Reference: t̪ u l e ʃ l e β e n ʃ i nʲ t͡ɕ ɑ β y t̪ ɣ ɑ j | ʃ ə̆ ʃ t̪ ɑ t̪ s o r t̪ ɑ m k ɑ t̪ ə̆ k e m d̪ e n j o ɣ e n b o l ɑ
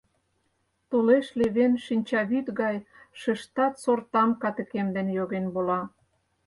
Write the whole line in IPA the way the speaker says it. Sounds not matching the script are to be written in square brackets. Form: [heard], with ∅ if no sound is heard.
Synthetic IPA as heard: t̪ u l e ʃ l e β e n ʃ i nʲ t͡ɕ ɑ β y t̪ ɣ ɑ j | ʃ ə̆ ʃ t̪ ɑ t̪ s o r t̪ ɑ m k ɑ t̪ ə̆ k e m d̪ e n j o ɣ e n b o l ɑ